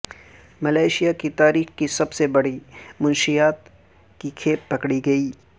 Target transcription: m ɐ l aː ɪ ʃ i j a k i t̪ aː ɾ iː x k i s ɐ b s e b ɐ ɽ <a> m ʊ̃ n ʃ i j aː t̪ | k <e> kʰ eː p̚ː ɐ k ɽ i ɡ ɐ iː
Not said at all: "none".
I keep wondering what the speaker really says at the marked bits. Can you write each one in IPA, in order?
i, i

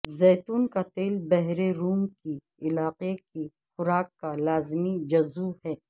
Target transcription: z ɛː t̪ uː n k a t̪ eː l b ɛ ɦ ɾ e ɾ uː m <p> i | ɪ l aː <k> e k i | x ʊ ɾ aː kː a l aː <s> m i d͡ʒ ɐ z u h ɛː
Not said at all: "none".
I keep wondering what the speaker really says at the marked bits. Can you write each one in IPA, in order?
k, q, z

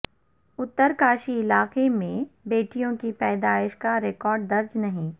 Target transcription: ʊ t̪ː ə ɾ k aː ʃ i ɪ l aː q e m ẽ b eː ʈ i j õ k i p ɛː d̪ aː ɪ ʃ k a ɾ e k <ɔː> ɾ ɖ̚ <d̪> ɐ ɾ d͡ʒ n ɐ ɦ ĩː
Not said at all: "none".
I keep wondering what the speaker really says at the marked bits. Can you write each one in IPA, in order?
ɔː, d̪

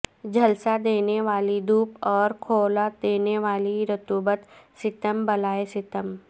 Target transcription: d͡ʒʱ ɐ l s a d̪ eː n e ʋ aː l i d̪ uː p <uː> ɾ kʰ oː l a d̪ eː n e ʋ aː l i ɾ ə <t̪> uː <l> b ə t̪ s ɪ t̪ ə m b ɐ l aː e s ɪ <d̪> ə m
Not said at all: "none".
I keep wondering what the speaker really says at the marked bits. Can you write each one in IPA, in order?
ɔː, t̪, none, t̪

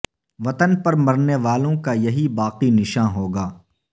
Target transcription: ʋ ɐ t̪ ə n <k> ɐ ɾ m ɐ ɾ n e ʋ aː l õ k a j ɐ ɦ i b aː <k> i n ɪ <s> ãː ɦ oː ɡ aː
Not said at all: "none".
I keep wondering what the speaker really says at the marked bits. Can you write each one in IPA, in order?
p, q, ʃ

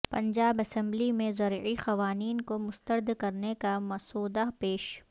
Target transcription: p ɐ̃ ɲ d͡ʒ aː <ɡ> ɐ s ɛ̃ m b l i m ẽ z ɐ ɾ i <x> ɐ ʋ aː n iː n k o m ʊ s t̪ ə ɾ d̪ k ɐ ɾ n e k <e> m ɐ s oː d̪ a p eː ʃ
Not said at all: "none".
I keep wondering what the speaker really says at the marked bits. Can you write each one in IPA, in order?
b, x, a

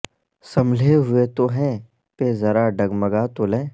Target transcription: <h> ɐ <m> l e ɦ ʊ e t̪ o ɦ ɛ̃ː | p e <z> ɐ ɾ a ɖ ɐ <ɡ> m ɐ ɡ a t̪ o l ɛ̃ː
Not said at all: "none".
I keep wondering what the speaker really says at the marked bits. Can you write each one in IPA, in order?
s, m, z, ɡ

